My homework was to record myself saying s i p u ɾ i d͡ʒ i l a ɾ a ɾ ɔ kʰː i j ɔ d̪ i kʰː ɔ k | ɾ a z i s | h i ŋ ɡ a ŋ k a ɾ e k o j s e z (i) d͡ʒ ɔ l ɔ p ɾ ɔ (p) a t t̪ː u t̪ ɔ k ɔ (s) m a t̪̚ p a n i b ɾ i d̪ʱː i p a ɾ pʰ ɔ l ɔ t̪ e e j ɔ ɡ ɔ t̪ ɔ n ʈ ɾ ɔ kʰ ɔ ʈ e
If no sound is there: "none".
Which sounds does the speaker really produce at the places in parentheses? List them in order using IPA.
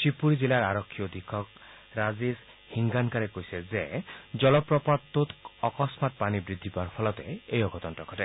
e, p, s

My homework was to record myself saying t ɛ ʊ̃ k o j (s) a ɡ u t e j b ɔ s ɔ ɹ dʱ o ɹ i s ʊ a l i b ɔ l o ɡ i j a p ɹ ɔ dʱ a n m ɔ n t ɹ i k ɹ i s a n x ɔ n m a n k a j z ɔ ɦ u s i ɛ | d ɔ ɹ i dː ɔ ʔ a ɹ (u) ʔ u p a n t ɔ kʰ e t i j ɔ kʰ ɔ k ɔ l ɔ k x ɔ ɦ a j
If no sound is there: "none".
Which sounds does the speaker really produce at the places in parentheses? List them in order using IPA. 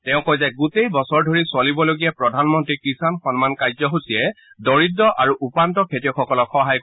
z, u

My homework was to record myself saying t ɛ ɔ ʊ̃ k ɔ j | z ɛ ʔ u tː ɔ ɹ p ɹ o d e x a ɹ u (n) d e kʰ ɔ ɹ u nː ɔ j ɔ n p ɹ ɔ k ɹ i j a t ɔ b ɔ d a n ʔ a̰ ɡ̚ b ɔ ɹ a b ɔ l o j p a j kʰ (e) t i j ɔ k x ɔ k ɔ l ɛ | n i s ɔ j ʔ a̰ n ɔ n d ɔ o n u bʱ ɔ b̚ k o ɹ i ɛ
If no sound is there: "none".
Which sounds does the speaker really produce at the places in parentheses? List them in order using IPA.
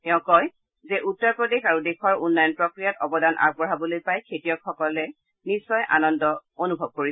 none, e

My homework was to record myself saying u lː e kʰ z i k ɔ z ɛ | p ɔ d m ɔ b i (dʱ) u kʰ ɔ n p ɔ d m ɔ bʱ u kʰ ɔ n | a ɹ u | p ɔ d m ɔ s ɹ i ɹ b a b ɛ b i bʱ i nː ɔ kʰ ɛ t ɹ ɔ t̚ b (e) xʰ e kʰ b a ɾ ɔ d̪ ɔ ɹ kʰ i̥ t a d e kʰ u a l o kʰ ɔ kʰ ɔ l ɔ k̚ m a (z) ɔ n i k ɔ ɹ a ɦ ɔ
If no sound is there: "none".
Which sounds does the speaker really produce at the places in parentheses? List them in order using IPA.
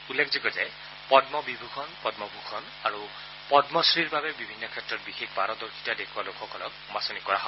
bʱ, i, s

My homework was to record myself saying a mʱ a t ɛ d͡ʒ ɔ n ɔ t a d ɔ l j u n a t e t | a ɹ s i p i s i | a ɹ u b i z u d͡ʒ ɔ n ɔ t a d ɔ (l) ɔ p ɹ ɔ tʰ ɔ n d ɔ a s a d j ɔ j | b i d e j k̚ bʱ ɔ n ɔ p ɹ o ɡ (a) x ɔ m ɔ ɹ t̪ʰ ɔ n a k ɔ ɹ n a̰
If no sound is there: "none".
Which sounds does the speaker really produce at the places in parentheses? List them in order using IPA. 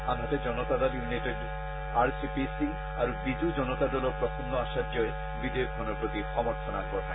l, i

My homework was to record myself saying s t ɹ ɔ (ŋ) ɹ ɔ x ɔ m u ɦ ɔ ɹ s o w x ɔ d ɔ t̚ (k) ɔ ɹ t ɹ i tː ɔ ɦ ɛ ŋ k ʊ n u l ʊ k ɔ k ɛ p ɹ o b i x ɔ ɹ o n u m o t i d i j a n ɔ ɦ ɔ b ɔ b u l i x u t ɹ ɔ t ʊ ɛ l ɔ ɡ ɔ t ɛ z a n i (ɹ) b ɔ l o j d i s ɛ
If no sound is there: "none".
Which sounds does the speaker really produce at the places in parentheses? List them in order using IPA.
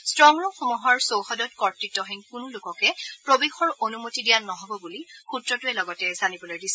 ŋ, k, none

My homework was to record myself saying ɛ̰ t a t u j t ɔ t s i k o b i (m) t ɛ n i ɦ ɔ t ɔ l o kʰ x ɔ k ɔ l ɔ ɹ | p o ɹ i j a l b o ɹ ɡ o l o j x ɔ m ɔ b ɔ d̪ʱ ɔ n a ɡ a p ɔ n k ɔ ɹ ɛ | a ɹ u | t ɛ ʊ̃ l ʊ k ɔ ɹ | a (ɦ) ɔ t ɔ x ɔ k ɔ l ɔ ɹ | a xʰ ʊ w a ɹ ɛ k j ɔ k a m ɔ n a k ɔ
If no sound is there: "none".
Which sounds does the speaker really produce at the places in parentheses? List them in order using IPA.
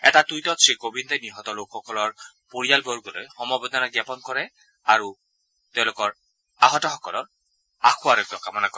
n, ɦ

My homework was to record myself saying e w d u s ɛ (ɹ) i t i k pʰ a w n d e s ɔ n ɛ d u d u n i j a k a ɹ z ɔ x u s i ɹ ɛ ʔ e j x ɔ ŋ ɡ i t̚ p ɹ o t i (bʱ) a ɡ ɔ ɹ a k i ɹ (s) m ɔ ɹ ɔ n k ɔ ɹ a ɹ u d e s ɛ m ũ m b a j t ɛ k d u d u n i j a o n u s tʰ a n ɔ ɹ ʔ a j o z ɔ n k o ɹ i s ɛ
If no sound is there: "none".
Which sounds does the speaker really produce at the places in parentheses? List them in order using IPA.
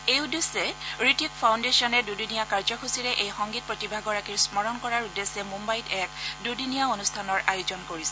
ɹ, bʱ, s

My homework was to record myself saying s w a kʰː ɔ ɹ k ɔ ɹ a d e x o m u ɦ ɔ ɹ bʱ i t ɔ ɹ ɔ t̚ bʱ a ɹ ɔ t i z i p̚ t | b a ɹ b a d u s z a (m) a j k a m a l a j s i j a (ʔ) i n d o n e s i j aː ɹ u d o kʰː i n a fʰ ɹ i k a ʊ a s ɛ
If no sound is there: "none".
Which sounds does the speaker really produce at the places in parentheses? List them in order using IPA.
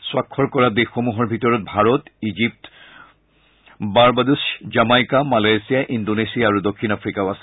m, ʔ

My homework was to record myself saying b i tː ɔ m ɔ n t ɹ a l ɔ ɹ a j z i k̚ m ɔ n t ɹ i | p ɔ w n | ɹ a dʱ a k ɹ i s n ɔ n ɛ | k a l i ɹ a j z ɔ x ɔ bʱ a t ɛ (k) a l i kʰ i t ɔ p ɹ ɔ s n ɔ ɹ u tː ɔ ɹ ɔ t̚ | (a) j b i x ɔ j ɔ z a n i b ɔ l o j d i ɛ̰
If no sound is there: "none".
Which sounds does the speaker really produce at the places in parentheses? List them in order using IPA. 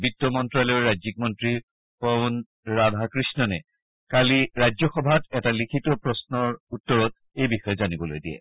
t, e

